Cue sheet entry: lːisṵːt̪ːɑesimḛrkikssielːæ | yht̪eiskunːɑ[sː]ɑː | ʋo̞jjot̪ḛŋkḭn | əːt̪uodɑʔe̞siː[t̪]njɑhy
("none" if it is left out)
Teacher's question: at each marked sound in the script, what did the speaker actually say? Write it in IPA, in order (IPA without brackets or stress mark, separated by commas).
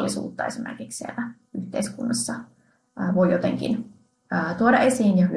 sː, none